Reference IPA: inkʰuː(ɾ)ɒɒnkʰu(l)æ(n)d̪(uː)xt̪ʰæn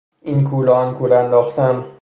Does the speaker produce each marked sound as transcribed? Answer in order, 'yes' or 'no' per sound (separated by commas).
no, yes, yes, no